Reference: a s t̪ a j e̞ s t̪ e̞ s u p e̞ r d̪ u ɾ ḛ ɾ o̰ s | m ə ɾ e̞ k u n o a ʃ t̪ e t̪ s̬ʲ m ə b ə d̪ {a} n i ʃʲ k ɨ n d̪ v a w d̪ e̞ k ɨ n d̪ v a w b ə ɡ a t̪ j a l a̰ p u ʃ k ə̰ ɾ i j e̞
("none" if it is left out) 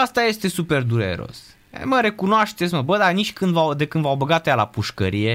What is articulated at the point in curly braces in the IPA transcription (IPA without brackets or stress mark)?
a